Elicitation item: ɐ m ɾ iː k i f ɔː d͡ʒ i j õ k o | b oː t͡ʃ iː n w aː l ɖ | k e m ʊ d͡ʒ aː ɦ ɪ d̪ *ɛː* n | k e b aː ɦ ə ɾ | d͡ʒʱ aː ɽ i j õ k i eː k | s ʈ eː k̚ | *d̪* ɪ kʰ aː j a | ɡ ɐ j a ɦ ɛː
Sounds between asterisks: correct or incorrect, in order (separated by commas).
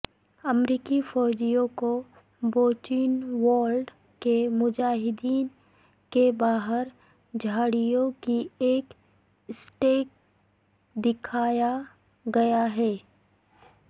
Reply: incorrect, correct